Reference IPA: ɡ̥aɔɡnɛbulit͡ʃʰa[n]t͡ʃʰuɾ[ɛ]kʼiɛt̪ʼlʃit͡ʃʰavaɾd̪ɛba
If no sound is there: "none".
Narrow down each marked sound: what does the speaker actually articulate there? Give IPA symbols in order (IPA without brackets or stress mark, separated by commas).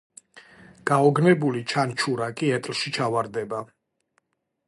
n, a